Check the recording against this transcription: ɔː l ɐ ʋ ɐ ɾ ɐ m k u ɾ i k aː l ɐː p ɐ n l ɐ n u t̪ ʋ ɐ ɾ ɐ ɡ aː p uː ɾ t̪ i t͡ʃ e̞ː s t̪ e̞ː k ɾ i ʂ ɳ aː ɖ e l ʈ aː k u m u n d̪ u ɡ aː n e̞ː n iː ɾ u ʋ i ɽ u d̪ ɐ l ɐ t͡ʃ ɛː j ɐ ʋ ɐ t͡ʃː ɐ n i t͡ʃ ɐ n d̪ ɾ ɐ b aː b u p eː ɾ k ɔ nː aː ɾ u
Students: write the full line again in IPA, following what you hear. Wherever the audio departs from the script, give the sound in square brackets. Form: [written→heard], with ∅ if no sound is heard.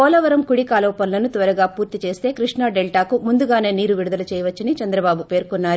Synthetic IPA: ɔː l ɐ ʋ ɐ ɾ ɐ m k u [ɾ→ɽ] i k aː l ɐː p ɐ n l ɐ n u t̪ ʋ ɐ ɾ ɐ ɡ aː p uː ɾ t̪ i t͡ʃ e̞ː s t̪ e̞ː k ɾ i ʂ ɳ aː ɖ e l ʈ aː k u m u n d̪ u ɡ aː n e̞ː n iː ɾ u ʋ i ɽ u d̪ ɐ l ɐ t͡ʃ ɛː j ɐ ʋ ɐ t͡ʃː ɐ n i t͡ʃ ɐ n d̪ ɾ ɐ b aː b u p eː ɾ k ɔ nː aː ɾ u